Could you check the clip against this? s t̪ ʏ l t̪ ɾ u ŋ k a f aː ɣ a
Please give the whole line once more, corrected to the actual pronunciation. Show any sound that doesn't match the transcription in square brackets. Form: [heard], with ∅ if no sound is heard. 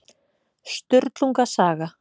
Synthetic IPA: s t̪ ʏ [ɾ] t̪ [l] u ŋ k a [s] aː ɣ a